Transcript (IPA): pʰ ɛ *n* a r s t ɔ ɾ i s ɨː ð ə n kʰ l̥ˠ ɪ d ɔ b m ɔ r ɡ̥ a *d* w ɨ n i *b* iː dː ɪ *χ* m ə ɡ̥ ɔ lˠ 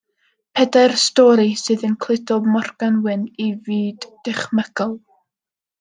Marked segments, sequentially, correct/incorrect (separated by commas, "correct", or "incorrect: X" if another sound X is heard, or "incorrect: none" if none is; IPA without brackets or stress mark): incorrect: d, incorrect: n, incorrect: v, correct